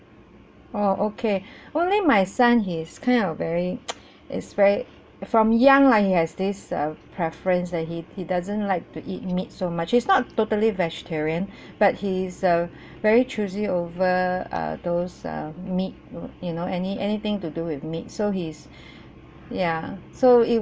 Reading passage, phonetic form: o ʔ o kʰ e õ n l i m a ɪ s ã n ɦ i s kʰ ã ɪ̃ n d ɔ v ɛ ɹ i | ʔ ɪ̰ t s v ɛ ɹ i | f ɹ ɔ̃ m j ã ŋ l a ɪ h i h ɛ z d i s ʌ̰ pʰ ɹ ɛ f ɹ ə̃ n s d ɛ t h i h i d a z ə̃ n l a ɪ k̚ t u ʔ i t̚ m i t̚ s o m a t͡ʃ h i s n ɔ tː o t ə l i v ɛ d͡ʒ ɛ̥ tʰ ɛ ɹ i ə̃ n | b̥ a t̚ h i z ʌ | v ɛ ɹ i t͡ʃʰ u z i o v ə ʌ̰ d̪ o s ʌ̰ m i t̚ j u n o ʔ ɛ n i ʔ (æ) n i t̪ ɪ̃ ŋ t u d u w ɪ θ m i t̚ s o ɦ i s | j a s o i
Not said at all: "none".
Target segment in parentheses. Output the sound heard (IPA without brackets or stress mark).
ɛ